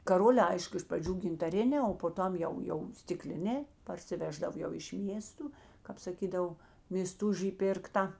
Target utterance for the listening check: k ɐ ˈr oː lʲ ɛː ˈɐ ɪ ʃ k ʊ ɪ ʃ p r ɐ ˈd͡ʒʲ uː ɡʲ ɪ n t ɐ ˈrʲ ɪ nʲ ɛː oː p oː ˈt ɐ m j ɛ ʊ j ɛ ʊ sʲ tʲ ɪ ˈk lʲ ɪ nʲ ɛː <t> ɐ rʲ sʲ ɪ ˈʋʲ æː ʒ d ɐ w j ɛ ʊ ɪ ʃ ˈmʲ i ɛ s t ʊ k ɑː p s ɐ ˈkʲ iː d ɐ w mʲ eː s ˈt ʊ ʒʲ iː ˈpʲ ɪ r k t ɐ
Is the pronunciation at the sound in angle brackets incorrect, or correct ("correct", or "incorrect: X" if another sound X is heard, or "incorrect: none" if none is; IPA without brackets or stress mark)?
incorrect: p